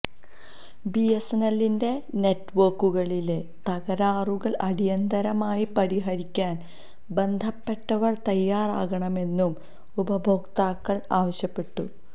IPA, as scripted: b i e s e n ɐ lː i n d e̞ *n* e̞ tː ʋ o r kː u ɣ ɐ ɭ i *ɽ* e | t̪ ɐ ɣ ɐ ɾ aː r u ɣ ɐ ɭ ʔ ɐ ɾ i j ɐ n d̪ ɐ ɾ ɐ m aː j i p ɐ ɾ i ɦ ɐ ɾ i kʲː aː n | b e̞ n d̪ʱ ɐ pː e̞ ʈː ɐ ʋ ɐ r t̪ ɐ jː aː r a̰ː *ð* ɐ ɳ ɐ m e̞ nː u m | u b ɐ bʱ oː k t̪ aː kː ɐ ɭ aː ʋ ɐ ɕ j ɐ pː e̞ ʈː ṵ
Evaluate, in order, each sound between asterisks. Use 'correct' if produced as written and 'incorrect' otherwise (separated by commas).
correct, incorrect, incorrect